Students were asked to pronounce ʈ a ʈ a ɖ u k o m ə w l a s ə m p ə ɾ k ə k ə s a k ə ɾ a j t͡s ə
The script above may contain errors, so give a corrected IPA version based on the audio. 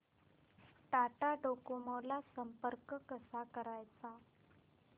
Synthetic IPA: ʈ a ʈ a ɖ o k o m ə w l a s ə m p ə ɾ k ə k ə s a k ə ɾ a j t͡s a